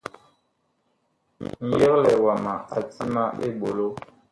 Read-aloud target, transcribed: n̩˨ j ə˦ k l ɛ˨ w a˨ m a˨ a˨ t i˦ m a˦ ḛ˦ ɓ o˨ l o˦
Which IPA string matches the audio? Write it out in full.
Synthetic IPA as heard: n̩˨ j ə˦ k l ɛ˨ w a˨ m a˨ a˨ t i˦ m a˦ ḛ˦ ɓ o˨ l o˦